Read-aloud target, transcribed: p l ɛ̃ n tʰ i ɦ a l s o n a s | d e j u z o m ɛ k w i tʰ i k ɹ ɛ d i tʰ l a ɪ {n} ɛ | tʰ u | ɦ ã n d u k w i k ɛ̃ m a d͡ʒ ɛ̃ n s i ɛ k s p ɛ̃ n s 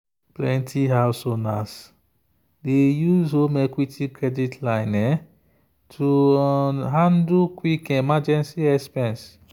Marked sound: correct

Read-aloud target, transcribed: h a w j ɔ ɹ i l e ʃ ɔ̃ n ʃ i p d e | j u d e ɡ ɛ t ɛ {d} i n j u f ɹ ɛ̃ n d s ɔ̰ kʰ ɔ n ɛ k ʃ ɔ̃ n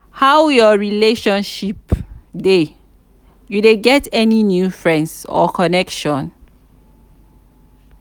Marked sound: incorrect: n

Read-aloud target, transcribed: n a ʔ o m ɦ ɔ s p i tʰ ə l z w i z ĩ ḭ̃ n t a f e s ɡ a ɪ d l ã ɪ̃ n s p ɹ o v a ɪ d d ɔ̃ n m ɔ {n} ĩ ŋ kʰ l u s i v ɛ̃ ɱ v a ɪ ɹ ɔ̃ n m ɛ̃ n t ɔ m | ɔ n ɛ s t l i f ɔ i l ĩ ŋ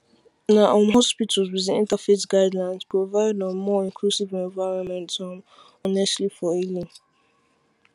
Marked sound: incorrect: none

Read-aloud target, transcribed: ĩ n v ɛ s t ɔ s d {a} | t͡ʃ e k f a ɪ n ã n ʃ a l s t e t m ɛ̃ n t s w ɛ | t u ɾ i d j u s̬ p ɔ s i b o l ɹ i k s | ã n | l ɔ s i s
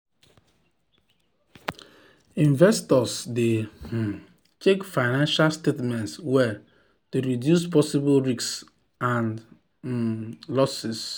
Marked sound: incorrect: e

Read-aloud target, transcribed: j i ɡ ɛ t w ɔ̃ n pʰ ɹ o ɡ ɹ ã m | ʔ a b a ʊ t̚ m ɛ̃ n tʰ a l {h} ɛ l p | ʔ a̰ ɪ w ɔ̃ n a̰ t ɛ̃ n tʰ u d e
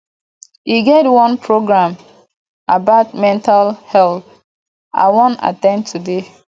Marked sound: correct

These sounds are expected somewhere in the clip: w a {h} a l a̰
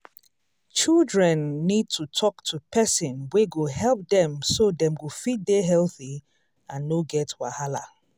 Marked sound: correct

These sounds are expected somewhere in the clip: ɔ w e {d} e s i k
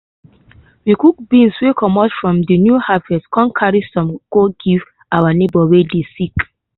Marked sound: correct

